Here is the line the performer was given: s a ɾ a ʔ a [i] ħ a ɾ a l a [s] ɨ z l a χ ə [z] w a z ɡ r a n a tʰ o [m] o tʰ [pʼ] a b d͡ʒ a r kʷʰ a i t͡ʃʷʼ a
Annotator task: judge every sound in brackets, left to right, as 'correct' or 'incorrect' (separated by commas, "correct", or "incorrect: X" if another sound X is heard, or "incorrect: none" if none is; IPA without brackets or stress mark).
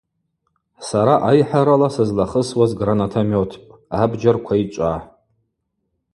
incorrect: j, correct, incorrect: s, correct, correct